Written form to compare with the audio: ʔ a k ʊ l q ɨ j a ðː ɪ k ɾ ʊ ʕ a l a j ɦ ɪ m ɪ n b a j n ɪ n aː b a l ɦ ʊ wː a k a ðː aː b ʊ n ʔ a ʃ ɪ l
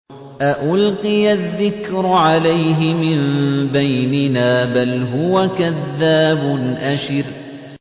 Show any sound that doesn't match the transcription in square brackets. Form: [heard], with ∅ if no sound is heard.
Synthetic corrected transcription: ʔ a [ʔ] ʊ l q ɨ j a ðː ɪ k ɾ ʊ ʕ a l a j ɦ ɪ m ɪ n b a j n ɪ n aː b a l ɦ ʊ [w] a k a ðː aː b ʊ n ʔ a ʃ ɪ [ɾ]